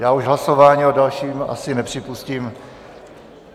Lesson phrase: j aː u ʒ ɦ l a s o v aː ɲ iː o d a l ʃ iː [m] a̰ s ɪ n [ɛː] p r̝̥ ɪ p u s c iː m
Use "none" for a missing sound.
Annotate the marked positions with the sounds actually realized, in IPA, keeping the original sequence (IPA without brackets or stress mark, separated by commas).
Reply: m, ɛ